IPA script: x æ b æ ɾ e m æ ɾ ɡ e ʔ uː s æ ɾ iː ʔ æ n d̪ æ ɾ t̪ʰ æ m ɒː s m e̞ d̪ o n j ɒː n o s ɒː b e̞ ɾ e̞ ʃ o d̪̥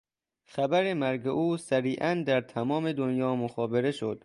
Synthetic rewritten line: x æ b æ ɾ e m æ ɾ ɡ e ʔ uː s æ ɾ iː ʔ æ n d̪ æ ɾ t̪ʰ æ m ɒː m e̞ d̪ o n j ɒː m o x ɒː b e̞ ɾ e̞ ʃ o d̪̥